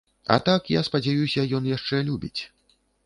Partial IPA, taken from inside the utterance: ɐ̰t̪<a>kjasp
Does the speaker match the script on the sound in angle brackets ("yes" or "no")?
yes